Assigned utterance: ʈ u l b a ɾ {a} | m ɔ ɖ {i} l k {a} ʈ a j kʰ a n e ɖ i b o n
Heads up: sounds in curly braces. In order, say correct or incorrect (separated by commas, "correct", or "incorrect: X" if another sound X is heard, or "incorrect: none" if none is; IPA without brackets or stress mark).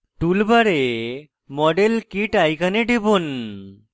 incorrect: e, incorrect: e, incorrect: i